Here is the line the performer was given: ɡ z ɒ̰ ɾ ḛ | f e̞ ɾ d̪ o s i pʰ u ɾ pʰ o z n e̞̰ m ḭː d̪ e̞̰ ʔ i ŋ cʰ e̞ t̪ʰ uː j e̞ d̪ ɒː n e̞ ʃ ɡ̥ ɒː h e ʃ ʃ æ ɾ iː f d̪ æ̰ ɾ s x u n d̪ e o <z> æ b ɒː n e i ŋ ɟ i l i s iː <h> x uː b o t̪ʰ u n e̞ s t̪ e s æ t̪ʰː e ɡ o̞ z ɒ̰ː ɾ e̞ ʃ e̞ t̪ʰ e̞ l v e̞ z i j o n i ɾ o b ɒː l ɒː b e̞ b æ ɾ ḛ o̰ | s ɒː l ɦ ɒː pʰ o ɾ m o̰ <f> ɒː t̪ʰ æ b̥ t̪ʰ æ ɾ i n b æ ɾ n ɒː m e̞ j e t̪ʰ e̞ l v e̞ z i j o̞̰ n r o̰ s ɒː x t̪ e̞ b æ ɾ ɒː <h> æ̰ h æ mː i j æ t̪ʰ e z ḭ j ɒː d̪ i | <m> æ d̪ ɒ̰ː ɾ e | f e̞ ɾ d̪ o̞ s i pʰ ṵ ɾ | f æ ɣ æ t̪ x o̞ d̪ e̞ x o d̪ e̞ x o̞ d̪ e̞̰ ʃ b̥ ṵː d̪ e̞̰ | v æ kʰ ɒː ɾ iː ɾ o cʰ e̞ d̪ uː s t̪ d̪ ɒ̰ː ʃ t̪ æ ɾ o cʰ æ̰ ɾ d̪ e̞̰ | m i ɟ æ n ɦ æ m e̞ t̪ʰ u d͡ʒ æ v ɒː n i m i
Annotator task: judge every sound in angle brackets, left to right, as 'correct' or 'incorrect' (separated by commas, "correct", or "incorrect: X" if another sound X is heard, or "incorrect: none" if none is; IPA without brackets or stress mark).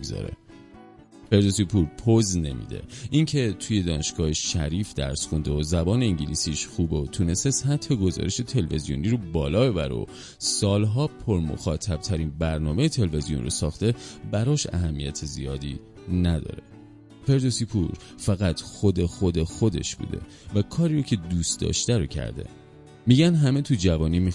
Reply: correct, incorrect: ʃ, incorrect: x, incorrect: ʃ, incorrect: n